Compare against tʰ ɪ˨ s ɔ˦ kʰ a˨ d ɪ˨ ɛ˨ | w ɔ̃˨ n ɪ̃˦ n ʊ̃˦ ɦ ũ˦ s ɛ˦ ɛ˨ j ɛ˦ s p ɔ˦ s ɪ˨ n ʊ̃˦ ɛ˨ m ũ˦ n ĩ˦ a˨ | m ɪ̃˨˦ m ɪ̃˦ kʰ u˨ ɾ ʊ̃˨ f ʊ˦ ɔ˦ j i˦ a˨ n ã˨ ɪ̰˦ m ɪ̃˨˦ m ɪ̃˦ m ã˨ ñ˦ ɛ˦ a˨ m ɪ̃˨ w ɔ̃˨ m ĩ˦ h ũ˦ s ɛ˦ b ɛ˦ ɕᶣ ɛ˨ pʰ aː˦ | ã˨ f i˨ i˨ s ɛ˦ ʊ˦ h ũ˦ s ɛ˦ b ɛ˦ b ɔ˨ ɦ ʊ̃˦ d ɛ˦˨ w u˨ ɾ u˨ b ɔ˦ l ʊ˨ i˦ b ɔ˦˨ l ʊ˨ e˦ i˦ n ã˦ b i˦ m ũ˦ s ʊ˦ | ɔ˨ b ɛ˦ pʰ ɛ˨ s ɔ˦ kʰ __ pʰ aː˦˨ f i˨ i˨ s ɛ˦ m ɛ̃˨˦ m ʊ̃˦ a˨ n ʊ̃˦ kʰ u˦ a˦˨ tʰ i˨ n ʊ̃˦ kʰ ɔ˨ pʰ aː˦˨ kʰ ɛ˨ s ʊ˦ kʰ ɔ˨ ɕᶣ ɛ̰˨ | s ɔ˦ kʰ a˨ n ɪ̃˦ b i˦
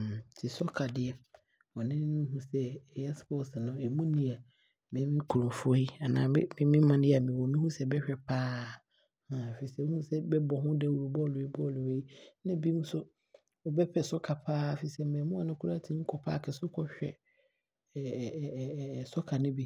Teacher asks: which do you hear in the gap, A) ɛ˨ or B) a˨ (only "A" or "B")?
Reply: B